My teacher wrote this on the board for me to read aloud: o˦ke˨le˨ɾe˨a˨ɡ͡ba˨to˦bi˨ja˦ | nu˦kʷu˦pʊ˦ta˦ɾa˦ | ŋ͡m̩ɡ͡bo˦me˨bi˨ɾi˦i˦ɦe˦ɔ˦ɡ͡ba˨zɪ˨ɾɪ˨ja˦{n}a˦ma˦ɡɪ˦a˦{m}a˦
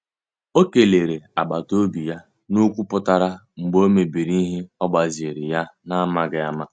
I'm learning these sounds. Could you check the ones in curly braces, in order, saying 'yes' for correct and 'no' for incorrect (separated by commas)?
yes, yes